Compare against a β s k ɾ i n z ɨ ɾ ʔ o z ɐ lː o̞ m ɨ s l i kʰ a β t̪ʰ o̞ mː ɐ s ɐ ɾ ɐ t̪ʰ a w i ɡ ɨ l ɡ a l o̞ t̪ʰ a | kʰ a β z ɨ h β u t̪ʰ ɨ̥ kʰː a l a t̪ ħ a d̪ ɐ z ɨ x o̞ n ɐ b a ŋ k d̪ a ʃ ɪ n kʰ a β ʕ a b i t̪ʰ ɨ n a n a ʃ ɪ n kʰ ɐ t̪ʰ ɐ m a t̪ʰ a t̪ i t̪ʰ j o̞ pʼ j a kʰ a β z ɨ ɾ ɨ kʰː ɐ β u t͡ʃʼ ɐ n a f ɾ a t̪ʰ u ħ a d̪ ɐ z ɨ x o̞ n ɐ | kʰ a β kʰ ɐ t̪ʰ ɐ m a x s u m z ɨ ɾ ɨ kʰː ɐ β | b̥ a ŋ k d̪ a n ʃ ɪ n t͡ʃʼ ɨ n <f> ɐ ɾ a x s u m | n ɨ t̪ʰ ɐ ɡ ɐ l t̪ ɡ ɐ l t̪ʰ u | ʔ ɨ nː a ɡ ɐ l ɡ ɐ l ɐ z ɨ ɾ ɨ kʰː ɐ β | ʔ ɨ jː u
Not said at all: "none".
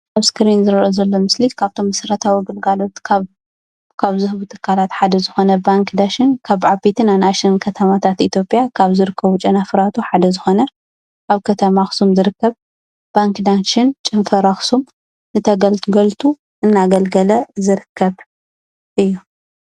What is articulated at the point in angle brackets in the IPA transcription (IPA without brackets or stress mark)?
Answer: f